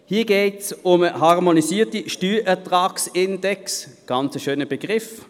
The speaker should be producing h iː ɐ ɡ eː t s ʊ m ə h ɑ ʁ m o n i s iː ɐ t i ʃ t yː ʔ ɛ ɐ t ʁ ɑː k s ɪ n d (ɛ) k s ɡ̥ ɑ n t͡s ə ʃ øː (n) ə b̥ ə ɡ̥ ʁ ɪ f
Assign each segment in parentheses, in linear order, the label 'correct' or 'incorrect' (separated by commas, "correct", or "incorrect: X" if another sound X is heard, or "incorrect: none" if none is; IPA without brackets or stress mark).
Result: correct, correct